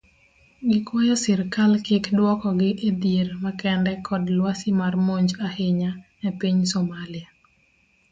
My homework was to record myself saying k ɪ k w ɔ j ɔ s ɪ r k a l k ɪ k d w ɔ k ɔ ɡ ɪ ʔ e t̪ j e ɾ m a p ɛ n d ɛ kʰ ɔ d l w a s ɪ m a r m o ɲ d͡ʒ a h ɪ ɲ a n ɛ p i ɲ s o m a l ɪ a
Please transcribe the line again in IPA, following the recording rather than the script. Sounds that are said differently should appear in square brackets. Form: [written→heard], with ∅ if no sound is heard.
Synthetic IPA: [k→ɡ] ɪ k w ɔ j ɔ s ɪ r k a l k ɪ k d w ɔ k ɔ ɡ ɪ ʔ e [t̪→d̪] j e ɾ m a [p→k] ɛ n d ɛ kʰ ɔ d l w a s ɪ m a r m o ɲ d͡ʒ a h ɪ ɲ a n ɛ p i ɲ s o m a l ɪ a